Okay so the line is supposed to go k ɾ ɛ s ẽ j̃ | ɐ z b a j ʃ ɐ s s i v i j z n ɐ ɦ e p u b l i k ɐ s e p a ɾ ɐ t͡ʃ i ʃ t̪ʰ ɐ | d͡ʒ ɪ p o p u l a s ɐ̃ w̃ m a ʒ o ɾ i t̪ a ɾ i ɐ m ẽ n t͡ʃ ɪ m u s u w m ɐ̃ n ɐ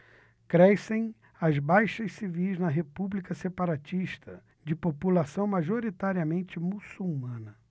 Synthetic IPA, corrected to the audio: k ɾ ɛ s ẽ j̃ | ɐ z b a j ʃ ɐ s s i v i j z n ɐ ɦ e p u b l i k ɐ s e p a ɾ a t͡ʃ i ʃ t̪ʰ ɐ | d͡ʒ ɪ p o p u l a s ɐ̃ w̃ m a ʒ o ɾ i t̪ a ɾ i ɐ m ẽ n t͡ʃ ɪ m u s u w m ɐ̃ n ɐ